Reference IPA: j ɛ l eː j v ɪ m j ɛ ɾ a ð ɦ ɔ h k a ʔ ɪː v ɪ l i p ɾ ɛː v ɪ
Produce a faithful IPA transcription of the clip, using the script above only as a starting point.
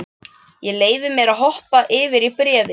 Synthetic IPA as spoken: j ɛ l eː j v ɪ m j ɛ ɾ a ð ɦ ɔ h p a ʔ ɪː v ɪ ɾ i p ɾ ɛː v ɪ